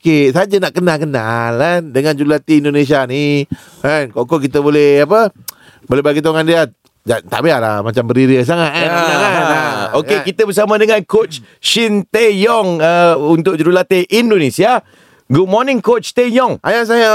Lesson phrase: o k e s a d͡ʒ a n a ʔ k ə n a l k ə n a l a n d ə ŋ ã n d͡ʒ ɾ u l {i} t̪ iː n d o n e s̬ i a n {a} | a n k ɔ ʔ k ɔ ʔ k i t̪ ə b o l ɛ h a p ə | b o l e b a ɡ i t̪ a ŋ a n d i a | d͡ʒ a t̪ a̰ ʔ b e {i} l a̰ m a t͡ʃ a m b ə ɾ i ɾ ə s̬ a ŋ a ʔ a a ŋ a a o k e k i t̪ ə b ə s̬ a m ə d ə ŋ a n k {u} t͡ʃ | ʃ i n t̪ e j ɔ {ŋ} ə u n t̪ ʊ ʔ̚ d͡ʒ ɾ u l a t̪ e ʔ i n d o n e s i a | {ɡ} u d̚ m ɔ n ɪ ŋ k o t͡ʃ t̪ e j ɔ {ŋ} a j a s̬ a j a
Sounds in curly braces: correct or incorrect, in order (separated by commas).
incorrect, incorrect, incorrect, incorrect, correct, correct, correct